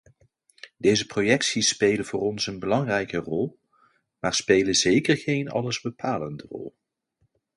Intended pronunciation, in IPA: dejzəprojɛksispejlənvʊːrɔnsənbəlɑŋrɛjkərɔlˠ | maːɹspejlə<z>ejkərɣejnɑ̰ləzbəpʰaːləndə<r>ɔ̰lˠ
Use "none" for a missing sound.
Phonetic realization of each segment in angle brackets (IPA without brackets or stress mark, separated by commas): z, r